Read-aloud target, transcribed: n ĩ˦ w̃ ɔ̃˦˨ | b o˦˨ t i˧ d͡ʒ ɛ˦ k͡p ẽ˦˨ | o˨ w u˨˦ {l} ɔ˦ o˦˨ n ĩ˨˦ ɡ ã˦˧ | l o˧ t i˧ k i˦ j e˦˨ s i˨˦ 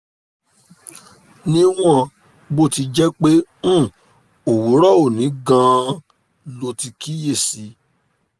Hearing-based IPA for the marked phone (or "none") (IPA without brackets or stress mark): ɾ